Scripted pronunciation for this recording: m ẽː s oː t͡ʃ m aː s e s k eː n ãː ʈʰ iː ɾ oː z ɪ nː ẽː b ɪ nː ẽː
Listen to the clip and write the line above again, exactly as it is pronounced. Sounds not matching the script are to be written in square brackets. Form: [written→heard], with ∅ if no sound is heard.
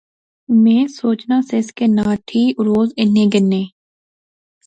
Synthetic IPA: m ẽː s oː t͡ʃ [m→n] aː s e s k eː n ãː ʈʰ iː ɾ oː z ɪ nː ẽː [b→ɡ] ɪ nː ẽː